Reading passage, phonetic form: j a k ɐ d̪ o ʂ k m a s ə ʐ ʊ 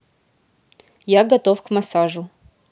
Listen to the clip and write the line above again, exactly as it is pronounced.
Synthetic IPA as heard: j a ɡ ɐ t̪ o f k m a s a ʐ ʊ